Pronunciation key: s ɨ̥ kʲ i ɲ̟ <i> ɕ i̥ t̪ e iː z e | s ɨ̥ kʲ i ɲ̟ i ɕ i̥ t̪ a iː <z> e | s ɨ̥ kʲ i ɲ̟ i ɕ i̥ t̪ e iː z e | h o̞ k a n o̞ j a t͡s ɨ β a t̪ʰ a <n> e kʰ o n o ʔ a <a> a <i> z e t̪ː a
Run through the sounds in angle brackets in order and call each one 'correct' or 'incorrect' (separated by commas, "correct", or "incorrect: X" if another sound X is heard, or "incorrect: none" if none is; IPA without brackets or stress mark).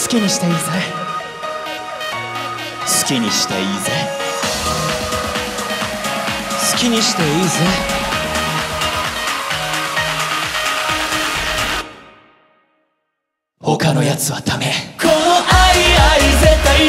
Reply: correct, correct, incorrect: m, incorrect: i, correct